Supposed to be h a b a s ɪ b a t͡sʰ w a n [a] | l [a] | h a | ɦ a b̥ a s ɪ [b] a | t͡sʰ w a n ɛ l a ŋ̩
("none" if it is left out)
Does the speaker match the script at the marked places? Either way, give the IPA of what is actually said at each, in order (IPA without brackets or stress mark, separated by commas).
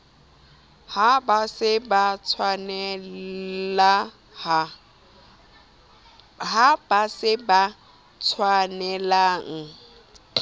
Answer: ɛ, a, b